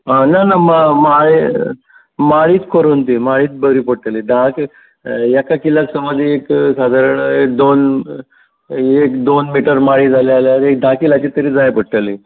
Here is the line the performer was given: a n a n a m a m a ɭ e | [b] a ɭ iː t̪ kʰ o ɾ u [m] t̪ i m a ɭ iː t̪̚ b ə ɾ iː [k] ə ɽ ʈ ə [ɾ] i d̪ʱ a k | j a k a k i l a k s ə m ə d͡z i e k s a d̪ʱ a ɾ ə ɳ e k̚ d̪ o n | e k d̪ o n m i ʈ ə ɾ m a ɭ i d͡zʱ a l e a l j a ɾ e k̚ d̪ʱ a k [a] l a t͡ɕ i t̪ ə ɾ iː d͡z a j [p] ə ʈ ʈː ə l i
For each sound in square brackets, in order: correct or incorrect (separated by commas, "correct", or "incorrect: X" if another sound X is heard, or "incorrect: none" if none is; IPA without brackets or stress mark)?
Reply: incorrect: m, incorrect: n, incorrect: p, incorrect: l, incorrect: i, correct